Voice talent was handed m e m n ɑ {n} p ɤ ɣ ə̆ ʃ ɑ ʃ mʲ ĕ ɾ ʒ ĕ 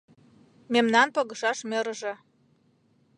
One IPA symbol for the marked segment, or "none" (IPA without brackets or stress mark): n